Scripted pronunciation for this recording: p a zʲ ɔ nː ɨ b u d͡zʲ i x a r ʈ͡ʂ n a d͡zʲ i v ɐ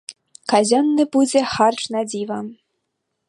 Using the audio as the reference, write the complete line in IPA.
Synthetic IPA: k a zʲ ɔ nː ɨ b u d͡zʲ ɛ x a r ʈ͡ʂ n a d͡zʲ i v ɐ